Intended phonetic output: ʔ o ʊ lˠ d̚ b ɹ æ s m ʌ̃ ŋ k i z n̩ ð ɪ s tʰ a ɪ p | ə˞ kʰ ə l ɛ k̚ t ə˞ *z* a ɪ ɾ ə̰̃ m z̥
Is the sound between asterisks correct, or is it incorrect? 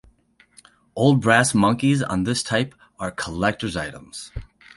correct